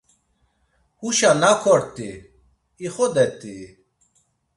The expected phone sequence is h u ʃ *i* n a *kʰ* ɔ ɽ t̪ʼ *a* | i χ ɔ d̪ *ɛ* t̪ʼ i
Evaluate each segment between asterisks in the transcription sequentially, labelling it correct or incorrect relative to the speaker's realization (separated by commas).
incorrect, correct, incorrect, correct